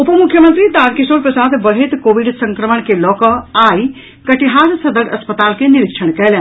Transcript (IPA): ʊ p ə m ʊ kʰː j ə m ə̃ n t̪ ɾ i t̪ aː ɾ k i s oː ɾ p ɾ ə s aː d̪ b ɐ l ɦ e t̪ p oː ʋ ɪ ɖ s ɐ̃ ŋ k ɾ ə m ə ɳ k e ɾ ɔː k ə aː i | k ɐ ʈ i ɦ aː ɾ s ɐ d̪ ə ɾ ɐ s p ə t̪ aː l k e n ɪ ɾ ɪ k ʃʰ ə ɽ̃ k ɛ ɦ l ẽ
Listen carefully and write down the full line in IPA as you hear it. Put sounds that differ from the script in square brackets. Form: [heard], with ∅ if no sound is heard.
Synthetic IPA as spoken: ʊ p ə m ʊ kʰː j ə m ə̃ n t̪ ɾ i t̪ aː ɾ k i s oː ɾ p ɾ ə s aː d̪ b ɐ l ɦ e t̪ [k] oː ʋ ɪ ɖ s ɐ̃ ŋ k ɾ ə m ə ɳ k e [l] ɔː k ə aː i | k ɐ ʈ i ɦ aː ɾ s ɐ d̪ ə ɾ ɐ s p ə t̪ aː l k e n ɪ ɾ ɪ k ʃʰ ə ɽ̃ k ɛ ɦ l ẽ

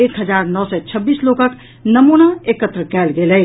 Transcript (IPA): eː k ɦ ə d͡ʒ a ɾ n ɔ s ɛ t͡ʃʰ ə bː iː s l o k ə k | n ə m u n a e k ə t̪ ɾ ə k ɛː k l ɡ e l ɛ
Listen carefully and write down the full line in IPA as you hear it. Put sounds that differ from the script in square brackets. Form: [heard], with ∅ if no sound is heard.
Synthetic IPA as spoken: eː k ɦ ə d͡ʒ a ɾ n ɔ s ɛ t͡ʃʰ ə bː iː s l o k ə k | n ə m u n a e k ə t̪ ɾ ə k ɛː [∅] l ɡ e l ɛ

